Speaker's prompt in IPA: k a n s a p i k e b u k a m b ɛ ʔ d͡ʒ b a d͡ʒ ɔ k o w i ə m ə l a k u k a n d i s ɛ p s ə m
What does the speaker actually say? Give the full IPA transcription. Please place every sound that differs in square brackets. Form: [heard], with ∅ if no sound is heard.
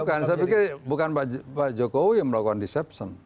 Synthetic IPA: k a n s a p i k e b u k a [n] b [a] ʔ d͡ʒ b a d͡ʒ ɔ k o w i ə m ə l a k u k a n d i s ɛ p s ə [n]